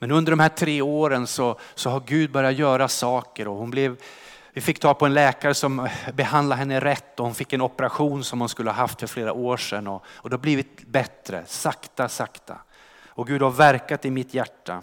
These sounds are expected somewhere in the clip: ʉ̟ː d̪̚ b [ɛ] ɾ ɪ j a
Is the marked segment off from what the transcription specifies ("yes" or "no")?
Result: yes